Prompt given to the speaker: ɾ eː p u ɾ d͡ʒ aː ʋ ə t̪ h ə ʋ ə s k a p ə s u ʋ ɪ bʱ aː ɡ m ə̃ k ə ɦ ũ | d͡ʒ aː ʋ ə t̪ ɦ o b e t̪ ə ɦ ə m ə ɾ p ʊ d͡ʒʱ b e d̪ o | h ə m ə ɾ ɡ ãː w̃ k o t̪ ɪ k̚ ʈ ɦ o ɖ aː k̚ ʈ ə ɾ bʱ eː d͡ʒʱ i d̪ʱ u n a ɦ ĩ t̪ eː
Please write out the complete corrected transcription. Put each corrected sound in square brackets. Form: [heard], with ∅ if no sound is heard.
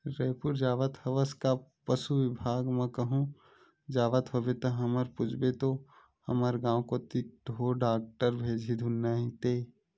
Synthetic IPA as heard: ɾ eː p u ɾ d͡ʒ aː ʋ ə t̪ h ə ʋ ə s k a p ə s u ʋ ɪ bʱ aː ɡ m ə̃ k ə ɦ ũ | d͡ʒ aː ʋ ə t̪ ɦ o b e t̪ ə ɦ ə m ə ɾ p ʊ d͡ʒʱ b e [t̪] o | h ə m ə ɾ ɡ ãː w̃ k o t̪ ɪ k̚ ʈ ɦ o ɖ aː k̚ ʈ ə ɾ bʱ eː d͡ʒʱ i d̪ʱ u n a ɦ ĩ t̪ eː